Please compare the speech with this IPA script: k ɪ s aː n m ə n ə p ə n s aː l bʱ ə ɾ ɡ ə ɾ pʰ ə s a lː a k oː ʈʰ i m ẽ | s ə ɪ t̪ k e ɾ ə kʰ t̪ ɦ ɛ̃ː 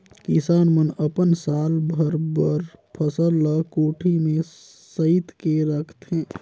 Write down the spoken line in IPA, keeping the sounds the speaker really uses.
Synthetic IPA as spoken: k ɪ s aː n m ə n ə p ə n s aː l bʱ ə ɾ b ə ɾ pʰ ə s ə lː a k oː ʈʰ i m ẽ | s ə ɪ t̪ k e ɾ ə kʰ t̪ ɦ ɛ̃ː